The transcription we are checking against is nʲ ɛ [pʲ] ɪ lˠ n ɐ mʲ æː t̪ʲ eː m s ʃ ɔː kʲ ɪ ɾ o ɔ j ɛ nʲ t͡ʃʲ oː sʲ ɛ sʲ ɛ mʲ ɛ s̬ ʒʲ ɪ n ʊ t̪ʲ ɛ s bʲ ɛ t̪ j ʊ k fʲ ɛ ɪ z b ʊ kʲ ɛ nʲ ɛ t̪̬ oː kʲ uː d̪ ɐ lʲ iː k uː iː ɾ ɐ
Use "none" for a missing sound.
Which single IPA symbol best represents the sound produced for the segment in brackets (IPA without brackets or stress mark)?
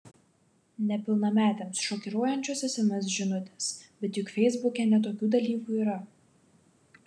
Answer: pʲ